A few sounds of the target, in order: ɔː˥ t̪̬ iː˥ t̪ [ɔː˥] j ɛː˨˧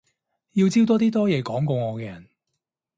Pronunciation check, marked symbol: correct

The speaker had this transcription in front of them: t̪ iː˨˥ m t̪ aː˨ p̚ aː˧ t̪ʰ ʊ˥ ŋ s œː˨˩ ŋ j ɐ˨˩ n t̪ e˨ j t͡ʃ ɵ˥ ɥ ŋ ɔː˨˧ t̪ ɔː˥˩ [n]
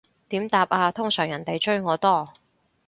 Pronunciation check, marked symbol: incorrect: none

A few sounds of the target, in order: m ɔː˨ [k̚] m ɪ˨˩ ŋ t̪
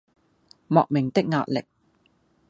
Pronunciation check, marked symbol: correct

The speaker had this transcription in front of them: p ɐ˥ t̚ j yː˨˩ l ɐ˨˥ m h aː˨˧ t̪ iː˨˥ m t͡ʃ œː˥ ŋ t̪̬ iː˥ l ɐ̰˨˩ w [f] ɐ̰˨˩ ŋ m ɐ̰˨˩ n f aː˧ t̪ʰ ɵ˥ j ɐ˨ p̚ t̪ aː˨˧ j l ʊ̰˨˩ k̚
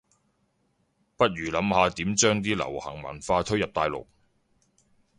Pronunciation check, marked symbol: incorrect: h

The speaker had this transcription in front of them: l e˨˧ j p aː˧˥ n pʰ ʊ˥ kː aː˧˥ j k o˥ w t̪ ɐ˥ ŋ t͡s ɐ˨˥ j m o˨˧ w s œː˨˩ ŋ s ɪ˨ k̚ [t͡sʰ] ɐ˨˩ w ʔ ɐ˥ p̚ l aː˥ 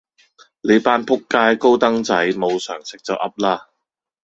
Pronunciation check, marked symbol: incorrect: t͡s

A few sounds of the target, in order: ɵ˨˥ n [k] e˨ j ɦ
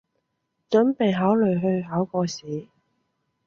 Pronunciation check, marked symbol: incorrect: p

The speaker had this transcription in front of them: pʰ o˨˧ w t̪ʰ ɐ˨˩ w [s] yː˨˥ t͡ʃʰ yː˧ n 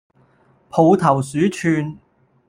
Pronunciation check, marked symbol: correct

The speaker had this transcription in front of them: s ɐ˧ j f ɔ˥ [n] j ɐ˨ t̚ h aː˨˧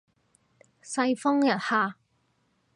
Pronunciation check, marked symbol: incorrect: ŋ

